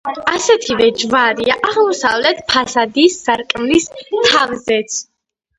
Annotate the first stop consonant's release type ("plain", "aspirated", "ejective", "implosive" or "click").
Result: aspirated